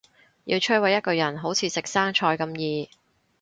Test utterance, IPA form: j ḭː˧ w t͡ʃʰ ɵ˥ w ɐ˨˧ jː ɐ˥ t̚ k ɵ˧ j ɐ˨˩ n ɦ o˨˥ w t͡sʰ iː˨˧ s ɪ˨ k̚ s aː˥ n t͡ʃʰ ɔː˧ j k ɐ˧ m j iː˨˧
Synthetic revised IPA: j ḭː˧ w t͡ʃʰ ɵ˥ w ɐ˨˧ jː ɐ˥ t̚ k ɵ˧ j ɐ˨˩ n ɦ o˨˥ w t͡sʰ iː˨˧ s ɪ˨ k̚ s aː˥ ŋ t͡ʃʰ ɔː˧ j k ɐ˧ m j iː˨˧